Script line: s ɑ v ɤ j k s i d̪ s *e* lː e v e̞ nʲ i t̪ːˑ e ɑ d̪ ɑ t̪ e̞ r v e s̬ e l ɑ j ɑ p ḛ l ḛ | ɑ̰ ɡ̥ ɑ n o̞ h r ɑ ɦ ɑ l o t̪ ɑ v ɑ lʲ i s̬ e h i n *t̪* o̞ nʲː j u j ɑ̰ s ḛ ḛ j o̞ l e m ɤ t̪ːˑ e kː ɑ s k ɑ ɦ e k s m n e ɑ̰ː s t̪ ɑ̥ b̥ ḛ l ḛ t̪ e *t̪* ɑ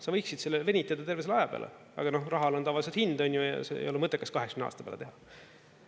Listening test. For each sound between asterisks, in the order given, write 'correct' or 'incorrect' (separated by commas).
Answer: correct, incorrect, incorrect